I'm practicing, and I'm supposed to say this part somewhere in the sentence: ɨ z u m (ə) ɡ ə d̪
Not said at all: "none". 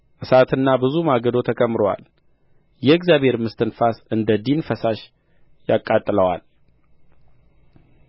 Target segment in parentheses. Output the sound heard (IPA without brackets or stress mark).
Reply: a